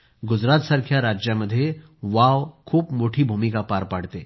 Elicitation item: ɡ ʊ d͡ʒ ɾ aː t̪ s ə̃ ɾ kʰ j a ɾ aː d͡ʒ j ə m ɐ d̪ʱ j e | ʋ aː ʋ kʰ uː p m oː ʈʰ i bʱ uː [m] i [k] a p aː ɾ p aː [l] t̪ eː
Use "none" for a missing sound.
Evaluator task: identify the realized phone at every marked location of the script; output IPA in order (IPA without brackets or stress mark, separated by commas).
m, k, ɽ